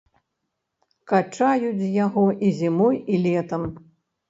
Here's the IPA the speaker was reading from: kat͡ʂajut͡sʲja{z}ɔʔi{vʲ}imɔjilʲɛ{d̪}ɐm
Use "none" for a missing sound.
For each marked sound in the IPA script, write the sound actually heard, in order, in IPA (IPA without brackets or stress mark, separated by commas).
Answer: ɣ, zʲ, t̪